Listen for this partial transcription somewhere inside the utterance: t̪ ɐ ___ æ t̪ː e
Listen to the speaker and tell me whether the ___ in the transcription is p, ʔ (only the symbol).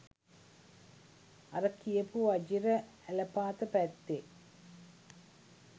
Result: p